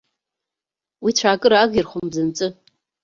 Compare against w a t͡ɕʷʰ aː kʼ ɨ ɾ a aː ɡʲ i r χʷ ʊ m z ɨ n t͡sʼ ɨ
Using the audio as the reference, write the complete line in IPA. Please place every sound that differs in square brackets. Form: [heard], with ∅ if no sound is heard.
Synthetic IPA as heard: w [i] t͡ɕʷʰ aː kʼ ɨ ɾ a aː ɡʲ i r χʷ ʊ m z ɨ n t͡sʼ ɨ